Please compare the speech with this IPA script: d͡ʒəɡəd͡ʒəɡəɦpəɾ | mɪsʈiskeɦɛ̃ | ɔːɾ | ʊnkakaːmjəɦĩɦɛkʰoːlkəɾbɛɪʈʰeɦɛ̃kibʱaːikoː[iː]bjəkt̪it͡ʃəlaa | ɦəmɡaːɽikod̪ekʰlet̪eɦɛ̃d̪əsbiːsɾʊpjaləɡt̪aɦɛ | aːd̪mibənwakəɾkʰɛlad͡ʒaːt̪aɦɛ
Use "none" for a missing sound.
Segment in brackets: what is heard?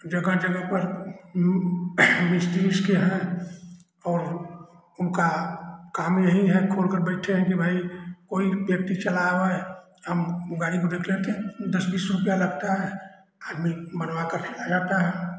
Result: i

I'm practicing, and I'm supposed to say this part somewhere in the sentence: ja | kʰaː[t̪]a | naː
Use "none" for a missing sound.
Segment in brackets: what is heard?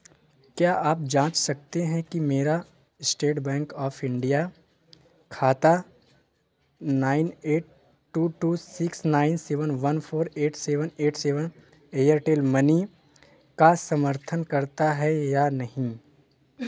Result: t̪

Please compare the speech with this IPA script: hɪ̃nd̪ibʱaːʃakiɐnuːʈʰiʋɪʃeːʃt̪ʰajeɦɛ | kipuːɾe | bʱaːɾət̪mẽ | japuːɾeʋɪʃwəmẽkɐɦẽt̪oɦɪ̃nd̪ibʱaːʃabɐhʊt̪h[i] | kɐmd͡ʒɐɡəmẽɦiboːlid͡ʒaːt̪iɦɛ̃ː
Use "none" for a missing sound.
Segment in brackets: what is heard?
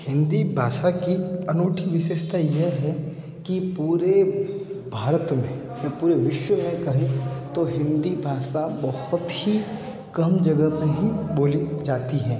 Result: i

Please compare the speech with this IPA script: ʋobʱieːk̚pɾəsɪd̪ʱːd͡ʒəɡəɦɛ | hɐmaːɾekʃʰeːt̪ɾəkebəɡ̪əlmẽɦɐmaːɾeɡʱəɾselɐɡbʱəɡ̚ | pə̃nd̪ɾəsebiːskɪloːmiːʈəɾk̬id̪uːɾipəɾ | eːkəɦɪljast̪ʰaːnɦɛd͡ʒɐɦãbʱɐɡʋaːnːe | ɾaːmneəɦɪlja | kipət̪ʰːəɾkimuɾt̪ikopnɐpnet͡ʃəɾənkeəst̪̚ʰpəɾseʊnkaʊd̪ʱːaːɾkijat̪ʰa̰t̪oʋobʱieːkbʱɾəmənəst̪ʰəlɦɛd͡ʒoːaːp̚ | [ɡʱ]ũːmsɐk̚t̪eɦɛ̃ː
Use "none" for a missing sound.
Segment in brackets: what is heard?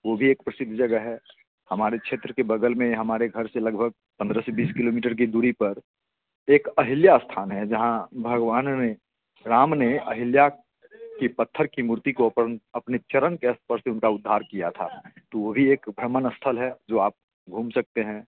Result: ɡʱ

